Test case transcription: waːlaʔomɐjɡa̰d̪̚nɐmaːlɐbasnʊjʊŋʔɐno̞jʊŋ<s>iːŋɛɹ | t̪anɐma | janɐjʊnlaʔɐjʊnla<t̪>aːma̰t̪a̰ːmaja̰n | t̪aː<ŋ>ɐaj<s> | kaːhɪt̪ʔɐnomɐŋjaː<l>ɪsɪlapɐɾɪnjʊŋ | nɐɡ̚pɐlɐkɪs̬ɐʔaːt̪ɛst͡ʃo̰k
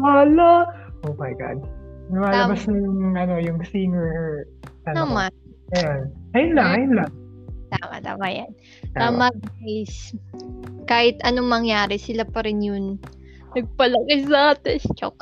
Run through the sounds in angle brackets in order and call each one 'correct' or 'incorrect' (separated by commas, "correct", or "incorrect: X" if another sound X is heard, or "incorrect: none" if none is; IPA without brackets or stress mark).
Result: correct, correct, incorrect: m, correct, incorrect: ɾ